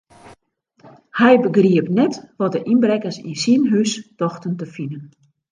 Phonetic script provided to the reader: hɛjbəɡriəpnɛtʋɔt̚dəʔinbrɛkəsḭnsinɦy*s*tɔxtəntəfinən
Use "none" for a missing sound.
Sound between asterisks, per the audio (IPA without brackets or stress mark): s